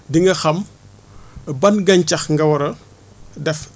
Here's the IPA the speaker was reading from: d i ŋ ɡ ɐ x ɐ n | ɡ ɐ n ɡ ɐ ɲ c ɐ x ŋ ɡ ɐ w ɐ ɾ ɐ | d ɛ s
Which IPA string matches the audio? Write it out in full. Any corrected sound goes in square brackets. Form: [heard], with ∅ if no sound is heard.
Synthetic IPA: d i ŋ ɡ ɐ x ɐ [m] | [b] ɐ n ɡ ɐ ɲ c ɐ x ŋ ɡ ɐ w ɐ ɾ ɐ | d ɛ [f]